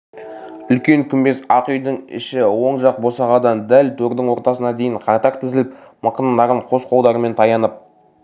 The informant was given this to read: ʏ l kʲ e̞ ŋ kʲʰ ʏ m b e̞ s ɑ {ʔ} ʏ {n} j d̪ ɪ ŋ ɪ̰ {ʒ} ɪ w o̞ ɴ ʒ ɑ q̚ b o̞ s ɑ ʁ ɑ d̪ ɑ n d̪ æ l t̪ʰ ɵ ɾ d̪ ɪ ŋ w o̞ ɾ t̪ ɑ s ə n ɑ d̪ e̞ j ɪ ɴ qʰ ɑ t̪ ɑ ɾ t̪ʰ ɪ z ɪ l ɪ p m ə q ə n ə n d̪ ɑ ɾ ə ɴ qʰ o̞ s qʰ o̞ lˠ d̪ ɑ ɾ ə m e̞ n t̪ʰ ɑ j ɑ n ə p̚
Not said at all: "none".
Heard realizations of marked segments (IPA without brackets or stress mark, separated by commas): q, none, ʃ